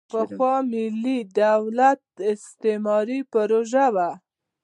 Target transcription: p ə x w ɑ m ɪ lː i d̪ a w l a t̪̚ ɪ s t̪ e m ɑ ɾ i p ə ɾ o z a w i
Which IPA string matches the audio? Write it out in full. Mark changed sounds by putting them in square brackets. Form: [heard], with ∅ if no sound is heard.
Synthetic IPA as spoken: p ə x w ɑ m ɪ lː i d̪ a w l a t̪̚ ɪ s t̪ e m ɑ ɾ i p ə ɾ o [ʒ] a w [a]